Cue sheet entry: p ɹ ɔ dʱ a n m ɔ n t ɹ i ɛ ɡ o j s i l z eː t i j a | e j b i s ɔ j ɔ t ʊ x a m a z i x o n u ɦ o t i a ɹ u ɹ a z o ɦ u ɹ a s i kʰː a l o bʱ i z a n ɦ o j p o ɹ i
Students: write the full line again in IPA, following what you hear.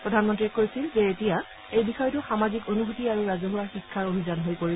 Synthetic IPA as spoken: p ɹ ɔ dʱ a n m ɔ n t ɹ i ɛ k o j s i l z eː t i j a | e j b i x ɔ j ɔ t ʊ x a m a z i k o n u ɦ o t i a ɹ u ɹ a z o ɦ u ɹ a x i kʰː a ɹ o bʱ i z a n ɦ o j p o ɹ i